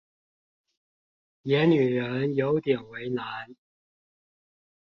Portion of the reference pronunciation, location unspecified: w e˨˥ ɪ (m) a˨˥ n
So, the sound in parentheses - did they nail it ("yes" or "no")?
no